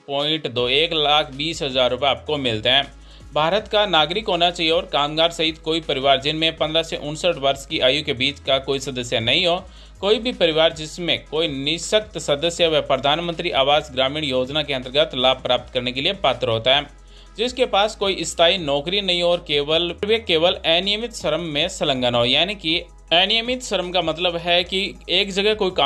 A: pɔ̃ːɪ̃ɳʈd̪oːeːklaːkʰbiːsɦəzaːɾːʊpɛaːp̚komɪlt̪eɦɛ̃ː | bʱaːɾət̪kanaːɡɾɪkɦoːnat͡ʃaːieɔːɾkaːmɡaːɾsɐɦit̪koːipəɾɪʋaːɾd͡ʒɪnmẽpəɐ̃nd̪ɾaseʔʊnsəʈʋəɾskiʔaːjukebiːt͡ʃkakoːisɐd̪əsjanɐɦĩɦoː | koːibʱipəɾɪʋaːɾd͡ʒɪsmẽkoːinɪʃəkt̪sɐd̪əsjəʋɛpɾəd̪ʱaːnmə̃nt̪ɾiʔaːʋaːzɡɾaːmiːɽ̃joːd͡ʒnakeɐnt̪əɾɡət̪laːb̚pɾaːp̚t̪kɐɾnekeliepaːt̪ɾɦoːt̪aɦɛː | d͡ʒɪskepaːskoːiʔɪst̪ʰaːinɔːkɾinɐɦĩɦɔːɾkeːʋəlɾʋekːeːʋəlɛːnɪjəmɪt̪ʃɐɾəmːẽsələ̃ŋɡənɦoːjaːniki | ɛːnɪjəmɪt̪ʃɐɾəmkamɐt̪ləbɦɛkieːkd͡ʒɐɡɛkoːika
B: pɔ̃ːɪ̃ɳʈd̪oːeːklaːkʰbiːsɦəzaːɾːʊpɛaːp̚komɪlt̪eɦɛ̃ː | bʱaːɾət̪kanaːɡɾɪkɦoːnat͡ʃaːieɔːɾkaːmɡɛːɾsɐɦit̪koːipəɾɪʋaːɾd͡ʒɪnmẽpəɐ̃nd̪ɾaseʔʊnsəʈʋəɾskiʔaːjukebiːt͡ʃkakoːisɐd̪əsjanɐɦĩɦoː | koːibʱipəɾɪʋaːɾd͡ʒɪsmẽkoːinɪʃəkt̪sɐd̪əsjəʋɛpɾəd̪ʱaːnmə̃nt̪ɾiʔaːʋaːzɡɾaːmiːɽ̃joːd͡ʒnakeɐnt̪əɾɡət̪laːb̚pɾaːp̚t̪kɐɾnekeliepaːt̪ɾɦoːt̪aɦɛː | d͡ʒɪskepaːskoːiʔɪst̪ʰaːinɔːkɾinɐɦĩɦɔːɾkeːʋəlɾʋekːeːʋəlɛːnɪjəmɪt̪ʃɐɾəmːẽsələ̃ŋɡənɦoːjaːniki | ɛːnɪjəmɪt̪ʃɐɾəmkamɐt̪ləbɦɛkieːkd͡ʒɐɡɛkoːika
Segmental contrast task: A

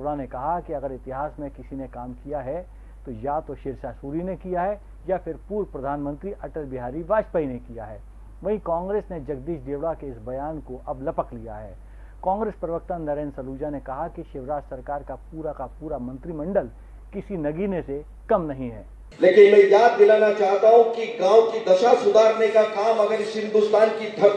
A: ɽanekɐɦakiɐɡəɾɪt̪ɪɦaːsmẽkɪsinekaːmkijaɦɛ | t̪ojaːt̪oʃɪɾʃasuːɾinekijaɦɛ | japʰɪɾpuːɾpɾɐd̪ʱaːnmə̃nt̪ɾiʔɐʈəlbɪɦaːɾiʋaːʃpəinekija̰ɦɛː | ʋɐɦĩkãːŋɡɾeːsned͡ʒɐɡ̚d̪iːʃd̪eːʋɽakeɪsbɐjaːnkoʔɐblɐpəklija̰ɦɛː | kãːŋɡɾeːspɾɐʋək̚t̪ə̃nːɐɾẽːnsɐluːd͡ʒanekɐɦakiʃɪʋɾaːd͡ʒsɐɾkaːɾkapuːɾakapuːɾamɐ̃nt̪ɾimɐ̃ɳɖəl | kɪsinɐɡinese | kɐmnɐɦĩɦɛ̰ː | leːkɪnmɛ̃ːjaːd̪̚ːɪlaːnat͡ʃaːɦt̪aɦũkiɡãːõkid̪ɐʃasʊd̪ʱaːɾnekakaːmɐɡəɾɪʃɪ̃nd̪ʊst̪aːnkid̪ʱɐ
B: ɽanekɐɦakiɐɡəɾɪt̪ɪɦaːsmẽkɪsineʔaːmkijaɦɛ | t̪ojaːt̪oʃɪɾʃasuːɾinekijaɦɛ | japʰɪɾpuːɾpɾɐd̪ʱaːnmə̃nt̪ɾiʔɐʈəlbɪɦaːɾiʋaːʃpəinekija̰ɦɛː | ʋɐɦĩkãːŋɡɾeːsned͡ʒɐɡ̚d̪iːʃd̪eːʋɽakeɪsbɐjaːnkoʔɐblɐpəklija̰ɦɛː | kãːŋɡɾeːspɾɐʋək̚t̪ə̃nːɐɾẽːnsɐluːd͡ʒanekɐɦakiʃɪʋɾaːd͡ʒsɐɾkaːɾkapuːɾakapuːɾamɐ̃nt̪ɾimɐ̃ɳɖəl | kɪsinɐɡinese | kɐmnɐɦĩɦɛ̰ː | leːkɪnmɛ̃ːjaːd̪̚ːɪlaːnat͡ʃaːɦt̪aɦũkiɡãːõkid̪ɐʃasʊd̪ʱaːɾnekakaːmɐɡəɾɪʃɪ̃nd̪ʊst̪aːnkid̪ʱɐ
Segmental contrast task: A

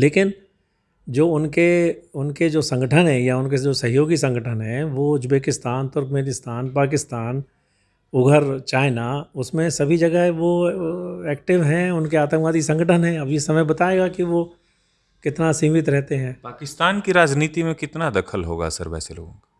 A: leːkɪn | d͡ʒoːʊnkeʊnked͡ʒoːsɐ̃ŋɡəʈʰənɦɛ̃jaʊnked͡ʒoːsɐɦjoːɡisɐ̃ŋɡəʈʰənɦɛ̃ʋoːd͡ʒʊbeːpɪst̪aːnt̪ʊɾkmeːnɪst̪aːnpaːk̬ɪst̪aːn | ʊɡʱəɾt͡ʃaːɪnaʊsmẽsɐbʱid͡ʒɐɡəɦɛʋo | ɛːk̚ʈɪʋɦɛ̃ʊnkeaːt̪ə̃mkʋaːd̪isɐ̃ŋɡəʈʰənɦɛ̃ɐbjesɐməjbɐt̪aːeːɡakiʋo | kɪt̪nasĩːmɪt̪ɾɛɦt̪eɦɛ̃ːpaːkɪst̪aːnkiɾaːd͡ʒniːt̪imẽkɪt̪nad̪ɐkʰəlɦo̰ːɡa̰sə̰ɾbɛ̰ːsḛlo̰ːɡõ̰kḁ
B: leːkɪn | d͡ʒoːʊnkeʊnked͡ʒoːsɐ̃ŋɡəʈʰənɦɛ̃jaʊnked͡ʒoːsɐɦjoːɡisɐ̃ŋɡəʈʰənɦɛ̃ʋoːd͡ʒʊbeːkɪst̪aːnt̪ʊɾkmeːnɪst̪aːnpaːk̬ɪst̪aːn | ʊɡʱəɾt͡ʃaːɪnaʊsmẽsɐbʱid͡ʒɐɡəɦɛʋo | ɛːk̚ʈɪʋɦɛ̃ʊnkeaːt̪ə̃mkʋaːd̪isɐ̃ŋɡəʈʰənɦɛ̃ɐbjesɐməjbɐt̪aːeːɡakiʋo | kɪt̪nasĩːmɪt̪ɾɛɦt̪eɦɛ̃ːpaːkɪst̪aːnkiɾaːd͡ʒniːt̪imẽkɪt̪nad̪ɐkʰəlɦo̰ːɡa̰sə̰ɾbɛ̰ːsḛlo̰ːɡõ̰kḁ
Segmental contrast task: B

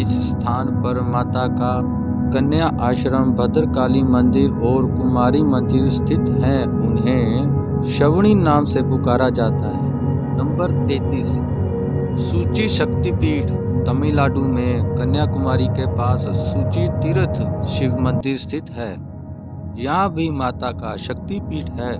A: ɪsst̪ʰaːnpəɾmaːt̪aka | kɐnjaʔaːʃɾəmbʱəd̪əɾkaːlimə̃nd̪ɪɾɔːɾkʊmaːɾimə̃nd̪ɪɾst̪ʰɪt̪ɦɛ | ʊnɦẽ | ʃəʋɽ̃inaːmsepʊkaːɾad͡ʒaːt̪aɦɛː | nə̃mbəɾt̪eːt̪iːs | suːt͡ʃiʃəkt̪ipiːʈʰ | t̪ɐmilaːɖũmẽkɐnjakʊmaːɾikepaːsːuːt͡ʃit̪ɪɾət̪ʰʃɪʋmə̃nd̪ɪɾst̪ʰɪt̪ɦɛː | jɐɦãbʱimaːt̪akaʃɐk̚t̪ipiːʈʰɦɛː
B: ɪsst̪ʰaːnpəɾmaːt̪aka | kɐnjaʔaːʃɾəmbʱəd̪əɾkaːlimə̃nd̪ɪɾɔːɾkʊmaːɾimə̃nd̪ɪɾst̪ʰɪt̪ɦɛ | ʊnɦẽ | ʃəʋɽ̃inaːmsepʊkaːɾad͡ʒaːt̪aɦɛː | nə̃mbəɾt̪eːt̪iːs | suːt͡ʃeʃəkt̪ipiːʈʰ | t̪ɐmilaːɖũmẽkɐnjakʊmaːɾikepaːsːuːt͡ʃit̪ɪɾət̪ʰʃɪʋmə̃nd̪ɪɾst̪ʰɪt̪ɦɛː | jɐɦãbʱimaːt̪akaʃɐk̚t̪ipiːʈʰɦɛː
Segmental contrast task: A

